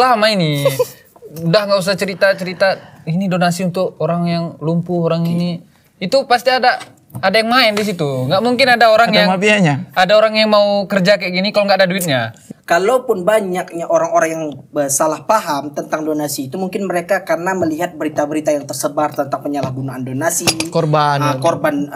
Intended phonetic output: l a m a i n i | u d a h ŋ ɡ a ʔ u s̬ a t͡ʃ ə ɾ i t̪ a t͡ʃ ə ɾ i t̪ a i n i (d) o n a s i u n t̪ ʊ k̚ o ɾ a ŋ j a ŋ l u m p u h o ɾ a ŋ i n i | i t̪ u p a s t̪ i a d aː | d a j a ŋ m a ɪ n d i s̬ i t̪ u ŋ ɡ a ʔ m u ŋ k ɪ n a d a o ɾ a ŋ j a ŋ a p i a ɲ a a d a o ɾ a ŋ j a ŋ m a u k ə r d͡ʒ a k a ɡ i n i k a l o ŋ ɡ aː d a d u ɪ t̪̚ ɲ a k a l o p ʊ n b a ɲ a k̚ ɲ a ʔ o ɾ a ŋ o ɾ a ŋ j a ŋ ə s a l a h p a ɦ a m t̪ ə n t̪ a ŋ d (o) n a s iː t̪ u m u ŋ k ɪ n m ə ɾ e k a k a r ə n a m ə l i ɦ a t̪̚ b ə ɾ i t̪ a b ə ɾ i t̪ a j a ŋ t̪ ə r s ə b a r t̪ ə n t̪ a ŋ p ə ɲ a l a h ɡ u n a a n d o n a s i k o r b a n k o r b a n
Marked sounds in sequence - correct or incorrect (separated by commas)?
correct, correct